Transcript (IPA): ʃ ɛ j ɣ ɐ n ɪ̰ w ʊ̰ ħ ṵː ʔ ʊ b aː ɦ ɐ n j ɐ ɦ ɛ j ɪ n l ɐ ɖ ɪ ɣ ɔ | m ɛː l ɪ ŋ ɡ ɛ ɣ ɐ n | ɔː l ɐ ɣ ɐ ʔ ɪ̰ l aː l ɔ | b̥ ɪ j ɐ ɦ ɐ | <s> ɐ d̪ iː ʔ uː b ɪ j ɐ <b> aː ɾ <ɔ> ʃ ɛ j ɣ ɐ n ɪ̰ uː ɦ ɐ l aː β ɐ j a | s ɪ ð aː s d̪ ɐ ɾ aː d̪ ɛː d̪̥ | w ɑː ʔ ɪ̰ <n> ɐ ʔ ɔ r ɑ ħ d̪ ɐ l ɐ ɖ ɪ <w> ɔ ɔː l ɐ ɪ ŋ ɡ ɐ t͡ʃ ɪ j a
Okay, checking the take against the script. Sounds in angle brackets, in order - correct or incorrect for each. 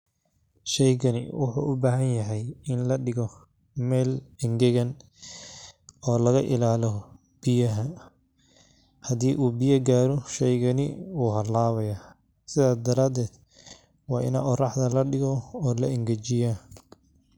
incorrect: h, incorrect: ɡ, correct, correct, incorrect: ɣ

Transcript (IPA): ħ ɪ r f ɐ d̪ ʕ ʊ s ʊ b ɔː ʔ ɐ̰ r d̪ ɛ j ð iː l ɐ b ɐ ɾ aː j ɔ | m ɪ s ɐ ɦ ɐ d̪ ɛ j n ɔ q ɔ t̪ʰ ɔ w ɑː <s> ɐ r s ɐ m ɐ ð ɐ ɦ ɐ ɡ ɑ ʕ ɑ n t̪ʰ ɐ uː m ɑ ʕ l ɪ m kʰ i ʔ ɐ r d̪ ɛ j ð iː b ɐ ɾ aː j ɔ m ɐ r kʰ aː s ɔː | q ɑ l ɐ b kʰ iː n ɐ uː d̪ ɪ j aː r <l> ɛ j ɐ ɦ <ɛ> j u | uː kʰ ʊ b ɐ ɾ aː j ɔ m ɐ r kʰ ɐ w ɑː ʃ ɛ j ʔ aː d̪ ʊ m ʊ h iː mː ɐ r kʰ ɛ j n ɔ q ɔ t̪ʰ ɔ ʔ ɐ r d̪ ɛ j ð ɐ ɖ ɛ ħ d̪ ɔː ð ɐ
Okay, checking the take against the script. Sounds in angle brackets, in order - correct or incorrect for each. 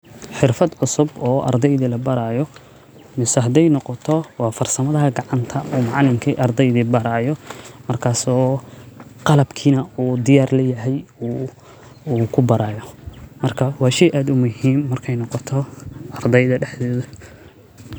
incorrect: f, correct, correct

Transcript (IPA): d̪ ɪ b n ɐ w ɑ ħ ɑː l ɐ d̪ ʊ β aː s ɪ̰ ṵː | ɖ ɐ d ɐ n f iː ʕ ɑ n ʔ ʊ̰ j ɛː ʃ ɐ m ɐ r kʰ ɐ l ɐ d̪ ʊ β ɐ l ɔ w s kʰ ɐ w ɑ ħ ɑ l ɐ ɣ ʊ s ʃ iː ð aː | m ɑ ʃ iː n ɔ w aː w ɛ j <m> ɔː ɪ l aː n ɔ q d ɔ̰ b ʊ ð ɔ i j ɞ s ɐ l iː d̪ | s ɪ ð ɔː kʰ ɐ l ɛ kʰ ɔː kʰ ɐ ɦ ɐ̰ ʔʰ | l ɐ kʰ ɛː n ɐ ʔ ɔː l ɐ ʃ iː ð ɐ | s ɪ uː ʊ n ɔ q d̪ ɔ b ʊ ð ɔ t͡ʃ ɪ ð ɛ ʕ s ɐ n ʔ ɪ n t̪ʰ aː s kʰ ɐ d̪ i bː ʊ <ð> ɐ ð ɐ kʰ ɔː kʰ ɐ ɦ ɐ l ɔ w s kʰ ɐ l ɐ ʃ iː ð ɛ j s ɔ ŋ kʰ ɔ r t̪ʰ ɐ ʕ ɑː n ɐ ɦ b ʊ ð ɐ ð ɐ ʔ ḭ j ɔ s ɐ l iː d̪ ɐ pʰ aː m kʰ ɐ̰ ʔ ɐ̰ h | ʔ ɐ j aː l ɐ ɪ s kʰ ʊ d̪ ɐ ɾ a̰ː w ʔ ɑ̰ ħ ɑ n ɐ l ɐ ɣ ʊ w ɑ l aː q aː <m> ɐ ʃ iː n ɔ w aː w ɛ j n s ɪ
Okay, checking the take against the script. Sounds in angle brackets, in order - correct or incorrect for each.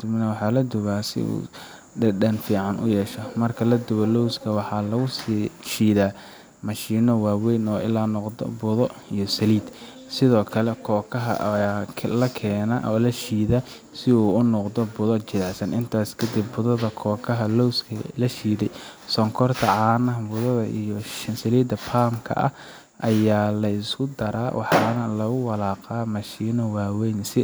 incorrect: n, correct, correct

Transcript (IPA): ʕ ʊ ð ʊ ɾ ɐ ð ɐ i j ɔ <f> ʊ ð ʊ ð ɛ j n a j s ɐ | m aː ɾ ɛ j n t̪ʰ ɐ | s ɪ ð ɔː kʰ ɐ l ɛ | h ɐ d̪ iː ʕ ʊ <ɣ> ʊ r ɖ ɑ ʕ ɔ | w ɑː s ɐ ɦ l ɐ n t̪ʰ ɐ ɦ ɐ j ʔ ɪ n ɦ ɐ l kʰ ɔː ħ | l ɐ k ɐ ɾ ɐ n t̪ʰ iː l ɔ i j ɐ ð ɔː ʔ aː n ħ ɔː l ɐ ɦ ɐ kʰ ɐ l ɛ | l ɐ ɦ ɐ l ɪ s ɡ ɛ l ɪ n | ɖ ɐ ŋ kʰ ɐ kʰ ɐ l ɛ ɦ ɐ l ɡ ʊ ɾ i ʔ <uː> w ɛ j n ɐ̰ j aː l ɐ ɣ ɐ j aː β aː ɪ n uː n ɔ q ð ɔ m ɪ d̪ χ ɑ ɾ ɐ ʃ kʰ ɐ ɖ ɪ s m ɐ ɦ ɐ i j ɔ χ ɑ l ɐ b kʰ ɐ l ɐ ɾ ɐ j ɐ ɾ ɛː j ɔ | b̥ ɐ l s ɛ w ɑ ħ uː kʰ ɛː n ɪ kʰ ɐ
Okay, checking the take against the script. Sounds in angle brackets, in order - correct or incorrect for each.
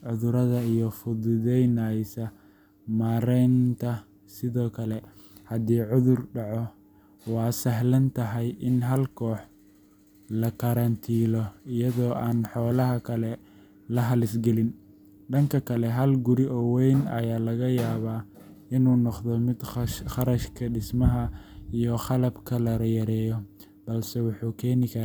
correct, incorrect: ð, incorrect: ɔː

